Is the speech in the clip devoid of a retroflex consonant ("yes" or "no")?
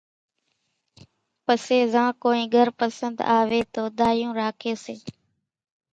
yes